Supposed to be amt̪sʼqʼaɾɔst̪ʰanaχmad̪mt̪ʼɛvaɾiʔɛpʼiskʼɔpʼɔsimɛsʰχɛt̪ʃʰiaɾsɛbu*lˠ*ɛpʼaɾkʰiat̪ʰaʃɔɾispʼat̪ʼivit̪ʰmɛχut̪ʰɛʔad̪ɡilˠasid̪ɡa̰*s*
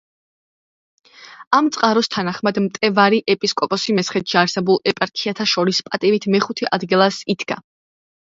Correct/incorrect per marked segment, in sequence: correct, incorrect

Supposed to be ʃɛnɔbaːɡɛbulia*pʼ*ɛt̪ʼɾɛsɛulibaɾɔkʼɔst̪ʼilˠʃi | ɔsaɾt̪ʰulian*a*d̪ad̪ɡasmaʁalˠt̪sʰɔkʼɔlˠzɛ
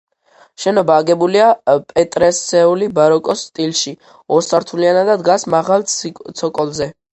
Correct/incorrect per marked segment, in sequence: correct, correct

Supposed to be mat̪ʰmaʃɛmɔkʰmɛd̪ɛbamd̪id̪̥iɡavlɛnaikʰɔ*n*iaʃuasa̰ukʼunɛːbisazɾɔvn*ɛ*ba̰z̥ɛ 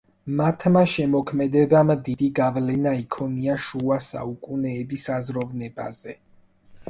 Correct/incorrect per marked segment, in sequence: correct, correct

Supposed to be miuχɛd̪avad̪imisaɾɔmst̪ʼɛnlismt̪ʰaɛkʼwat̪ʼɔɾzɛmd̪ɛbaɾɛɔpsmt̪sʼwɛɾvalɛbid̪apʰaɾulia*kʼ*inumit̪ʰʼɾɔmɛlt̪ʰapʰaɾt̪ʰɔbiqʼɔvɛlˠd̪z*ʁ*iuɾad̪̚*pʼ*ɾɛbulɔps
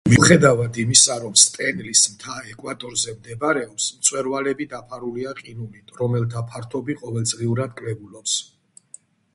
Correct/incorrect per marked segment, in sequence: incorrect, correct, incorrect

